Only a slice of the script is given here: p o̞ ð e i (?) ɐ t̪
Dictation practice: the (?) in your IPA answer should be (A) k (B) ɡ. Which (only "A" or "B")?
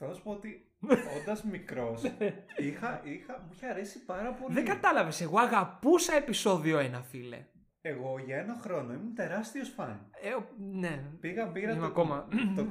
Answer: B